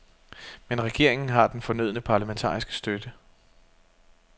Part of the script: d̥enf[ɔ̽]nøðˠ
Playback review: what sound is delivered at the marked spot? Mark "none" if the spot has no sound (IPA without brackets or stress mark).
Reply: ɒ̽